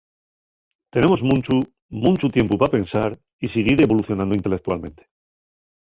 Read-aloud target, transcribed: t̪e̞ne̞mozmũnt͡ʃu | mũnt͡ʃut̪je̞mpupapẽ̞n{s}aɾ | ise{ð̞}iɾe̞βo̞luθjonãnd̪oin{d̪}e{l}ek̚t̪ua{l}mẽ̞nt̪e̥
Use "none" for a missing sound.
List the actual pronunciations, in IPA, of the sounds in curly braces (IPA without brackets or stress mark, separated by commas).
s, ɣ̞, t̪, l, l